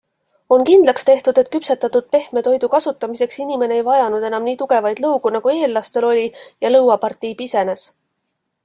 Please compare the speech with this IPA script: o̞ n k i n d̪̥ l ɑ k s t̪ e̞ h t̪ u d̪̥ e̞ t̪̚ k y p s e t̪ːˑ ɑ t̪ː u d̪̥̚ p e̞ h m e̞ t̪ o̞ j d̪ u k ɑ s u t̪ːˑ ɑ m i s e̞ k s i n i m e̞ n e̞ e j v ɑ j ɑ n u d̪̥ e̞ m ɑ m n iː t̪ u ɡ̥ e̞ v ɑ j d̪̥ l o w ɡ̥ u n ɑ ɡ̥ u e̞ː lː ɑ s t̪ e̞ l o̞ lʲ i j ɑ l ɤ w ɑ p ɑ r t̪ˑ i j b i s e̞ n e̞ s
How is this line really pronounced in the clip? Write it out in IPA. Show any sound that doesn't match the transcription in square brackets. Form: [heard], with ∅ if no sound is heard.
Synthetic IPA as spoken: o̞ n k i n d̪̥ l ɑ k s t̪ e̞ h t̪ u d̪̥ e̞ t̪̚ k y p s e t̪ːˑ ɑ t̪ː u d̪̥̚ p e̞ h m e̞ t̪ o̞ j d̪ u k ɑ s u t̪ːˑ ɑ m i s e̞ k s i n i m e̞ n e̞ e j v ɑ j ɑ n u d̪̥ e̞ [n] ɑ m n iː t̪ u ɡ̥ e̞ v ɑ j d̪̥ l [ɤ] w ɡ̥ u n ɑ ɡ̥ u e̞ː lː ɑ s t̪ e̞ l o̞ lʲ i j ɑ l ɤ w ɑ p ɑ r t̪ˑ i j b i s e̞ n e̞ s